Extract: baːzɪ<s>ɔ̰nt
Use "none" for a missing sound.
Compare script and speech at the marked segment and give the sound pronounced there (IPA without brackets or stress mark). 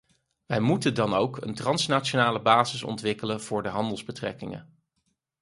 s